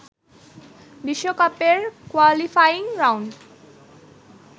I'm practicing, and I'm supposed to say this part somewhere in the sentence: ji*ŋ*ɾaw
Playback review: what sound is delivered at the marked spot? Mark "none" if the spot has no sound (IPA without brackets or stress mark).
ŋ